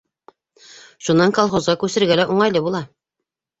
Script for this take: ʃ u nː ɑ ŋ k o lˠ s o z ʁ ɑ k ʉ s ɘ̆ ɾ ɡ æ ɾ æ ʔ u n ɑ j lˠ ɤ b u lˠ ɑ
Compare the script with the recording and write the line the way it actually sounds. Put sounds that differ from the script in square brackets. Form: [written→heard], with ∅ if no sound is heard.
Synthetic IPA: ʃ u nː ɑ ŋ k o lˠ [s→χ] o z ʁ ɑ k ʉ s ɘ̆ ɾ ɡ æ [ɾ→l] æ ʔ u [n→ɴ] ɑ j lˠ ɤ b u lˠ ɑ